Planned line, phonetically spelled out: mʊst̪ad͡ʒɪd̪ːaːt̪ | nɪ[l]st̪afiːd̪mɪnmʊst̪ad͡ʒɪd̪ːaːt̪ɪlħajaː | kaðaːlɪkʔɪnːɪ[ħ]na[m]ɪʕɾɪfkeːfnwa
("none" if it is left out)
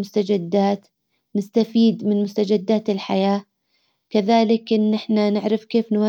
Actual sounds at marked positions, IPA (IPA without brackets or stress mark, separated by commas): none, ħ, n